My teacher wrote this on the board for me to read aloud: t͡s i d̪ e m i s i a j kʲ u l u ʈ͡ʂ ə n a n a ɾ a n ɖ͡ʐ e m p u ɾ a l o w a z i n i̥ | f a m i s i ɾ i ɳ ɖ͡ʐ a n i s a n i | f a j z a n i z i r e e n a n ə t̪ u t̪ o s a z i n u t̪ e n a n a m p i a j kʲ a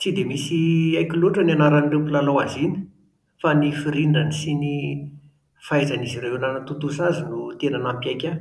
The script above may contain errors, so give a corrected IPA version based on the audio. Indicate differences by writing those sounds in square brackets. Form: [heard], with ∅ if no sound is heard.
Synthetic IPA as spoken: t͡s i d̪ e m i s i a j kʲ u l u ʈ͡ʂ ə n a n a ɾ a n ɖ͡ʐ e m p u [l] a l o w a z i n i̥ | f a [n] i [f] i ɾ i ɳ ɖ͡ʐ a n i s [i] n i | f a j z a n i z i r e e n a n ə t̪ u t̪ [u] s a z i n u t̪ e n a n a m p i a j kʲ a